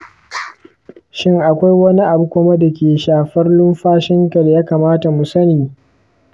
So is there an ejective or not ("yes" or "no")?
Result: no